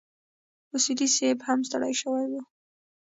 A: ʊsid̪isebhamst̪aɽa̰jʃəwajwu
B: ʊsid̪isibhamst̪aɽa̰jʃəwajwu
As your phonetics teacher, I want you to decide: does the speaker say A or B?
A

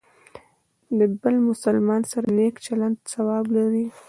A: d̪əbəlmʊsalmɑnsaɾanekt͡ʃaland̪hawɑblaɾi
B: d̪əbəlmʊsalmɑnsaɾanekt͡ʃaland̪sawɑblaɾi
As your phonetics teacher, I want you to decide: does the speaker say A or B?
B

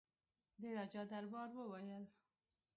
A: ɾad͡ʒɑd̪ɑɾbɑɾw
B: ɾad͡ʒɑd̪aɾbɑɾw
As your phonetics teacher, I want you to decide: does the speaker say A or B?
B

